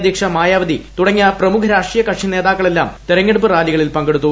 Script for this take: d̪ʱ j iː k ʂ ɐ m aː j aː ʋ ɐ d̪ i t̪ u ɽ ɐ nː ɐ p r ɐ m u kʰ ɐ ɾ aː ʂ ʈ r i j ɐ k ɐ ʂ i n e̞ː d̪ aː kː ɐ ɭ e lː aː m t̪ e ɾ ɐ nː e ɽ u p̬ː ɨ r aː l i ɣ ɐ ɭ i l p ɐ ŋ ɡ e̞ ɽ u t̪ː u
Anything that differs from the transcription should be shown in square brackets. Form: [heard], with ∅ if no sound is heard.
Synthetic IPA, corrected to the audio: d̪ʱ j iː k ʂ ɐ m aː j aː ʋ ɐ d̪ i t̪ u ɽ ɐ [ŋː] ɐ p r ɐ m u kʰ ɐ ɾ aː ʂ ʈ r i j ɐ k ɐ ʂ i n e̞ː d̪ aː kː ɐ ɭ e lː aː m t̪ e ɾ ɐ [ŋː] e ɽ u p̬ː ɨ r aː l i ɣ ɐ ɭ i l p ɐ ŋ ɡ e̞ ɽ u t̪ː u